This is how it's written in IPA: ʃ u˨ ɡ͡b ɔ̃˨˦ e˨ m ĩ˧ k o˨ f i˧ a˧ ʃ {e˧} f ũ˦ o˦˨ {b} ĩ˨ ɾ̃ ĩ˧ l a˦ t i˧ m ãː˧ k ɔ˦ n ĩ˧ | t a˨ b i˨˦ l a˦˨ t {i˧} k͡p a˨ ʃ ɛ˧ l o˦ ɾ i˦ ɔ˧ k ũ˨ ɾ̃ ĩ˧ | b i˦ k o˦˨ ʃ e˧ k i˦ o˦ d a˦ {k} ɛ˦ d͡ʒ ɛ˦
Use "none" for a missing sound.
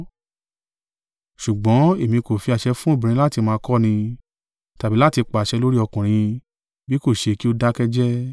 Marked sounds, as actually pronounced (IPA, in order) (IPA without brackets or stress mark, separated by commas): ɛ˧, b, i˧, k